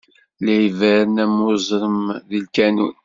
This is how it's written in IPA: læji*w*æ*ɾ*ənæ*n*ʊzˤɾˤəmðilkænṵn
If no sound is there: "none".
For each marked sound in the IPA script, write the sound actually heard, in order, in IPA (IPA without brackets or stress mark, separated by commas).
v, ɾ, m